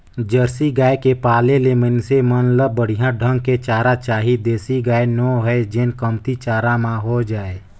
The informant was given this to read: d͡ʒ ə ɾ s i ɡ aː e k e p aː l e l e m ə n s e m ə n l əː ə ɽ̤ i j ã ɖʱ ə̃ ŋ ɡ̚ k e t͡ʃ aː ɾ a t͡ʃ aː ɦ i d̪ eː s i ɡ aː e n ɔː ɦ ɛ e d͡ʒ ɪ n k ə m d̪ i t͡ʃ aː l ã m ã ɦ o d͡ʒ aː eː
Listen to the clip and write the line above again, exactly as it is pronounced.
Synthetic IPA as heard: d͡ʒ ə ɾ s i ɡ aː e k e p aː l e l e m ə n s e m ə n l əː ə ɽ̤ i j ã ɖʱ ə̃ ŋ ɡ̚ k e t͡ʃ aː ɾ a t͡ʃ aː ɦ i d̪ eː s i ɡ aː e n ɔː ɦ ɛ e d͡ʒ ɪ n k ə m t̪ i t͡ʃ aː ɾ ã m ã ɦ o d͡ʒ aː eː